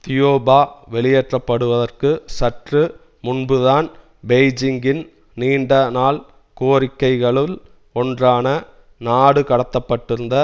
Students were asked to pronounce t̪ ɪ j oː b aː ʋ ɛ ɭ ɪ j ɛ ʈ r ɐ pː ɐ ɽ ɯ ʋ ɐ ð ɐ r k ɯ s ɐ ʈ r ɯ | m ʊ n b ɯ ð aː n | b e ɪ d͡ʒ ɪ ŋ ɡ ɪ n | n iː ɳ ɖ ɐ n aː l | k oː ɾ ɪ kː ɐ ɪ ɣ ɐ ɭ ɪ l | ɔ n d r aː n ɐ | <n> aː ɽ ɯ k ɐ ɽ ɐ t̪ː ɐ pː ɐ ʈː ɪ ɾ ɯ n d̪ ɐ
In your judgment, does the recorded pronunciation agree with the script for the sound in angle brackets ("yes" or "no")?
yes